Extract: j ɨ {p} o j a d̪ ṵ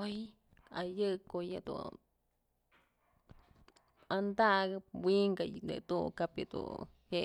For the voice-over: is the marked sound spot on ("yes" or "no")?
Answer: no